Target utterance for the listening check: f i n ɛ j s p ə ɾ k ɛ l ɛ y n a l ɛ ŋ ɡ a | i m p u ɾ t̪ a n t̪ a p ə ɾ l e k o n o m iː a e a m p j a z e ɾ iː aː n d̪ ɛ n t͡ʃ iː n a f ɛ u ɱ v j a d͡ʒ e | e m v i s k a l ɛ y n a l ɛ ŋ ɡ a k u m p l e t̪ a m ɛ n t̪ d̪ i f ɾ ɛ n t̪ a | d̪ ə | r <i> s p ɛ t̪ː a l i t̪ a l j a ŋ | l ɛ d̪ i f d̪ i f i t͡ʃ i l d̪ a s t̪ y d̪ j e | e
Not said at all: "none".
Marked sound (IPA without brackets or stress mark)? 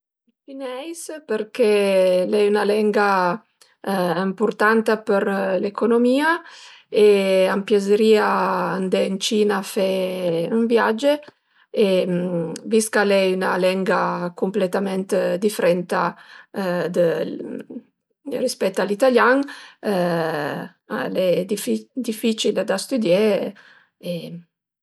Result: i